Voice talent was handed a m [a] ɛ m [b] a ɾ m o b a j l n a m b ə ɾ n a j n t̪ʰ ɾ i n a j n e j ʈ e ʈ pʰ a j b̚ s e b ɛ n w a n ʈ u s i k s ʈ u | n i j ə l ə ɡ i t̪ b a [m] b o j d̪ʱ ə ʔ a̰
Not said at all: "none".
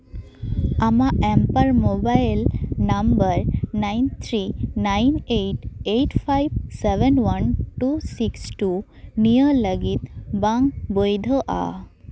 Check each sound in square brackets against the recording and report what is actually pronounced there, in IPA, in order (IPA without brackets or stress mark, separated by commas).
a, p, ŋ